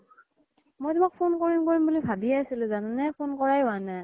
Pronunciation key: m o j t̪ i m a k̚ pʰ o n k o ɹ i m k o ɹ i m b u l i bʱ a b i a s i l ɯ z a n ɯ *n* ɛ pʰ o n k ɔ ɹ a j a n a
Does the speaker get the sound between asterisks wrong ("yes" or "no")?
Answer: no